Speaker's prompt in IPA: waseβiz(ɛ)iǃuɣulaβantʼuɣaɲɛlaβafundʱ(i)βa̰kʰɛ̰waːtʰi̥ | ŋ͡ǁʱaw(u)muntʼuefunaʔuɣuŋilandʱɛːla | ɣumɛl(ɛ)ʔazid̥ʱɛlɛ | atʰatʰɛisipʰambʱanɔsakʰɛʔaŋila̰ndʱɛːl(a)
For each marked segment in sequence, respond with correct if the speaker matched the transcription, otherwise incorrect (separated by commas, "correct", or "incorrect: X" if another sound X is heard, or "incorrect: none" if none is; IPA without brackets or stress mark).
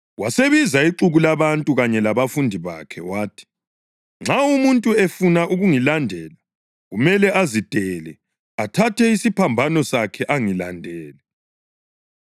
incorrect: a, correct, correct, correct, incorrect: ɛ